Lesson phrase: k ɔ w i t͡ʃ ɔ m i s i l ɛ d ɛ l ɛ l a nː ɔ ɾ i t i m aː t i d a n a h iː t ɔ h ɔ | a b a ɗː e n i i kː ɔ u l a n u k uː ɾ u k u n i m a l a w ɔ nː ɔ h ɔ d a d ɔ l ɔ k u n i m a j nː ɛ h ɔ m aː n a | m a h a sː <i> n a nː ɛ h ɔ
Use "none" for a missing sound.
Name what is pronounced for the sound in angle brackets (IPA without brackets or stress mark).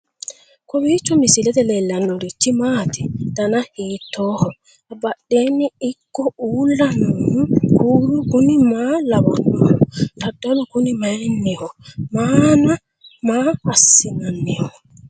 i